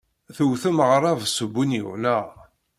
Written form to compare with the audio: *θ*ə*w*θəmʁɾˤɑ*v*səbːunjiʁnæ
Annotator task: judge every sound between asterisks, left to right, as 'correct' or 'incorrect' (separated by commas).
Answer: correct, correct, correct